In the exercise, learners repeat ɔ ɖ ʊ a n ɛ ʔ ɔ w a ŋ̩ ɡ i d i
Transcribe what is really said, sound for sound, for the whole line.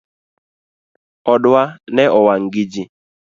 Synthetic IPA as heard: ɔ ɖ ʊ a n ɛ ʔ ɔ w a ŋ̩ ɡ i d͡ʒ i